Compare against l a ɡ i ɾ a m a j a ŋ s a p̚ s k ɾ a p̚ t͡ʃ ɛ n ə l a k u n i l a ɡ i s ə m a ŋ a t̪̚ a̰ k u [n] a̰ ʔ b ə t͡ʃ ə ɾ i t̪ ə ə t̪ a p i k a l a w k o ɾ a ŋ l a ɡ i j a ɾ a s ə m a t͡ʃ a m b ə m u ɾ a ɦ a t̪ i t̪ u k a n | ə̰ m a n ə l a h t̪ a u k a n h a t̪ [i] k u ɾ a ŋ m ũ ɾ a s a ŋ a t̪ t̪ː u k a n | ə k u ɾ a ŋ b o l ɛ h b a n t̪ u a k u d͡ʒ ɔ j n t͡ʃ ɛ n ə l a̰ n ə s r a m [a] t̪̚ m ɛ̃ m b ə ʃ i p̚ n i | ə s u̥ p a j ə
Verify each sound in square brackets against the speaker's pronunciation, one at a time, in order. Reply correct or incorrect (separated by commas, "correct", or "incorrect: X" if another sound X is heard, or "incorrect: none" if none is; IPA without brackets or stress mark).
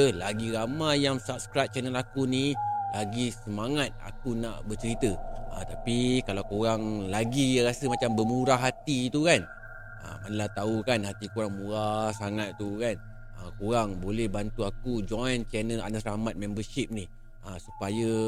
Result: correct, correct, correct